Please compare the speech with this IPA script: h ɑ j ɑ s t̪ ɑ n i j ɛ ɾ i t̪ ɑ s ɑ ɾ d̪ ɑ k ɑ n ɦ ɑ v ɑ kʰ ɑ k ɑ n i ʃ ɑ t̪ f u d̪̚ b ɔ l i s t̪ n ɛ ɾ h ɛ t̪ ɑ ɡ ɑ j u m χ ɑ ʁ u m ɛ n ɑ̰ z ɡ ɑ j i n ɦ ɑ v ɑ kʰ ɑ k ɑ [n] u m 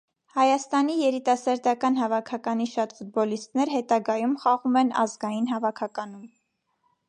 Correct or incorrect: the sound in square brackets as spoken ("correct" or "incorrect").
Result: correct